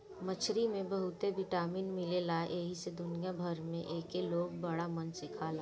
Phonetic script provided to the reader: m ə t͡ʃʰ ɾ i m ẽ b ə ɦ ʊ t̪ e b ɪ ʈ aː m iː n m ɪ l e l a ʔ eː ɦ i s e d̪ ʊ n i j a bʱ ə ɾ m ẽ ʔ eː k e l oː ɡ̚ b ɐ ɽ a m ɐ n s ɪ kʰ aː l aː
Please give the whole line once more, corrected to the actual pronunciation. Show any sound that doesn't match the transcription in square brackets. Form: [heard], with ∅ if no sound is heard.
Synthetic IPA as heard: m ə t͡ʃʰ ɾ i m ẽ b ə ɦ ʊ t̪ e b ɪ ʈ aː m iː n m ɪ l e l a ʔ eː ɦ i s e d̪ ʊ n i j a bʱ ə ɾ m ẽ ʔ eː k e l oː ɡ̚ b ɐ ɽ a m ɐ n s ɪ kʰ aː l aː